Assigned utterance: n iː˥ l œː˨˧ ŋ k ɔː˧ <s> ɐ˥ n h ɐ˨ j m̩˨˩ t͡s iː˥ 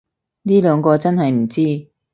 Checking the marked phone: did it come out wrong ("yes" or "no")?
yes